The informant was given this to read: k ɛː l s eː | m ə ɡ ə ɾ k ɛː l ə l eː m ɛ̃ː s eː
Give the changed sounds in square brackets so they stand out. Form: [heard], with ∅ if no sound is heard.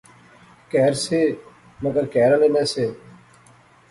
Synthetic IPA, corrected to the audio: k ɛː [ɾ] s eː | m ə ɡ ə ɾ k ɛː [ɾ] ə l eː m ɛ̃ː s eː